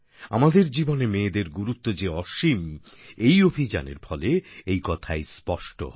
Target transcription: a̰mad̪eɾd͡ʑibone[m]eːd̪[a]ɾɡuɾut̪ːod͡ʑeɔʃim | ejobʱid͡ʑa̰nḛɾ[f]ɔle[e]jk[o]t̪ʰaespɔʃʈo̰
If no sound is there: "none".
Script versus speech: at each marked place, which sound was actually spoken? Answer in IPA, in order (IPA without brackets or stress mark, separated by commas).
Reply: m, e, f, e, ɔ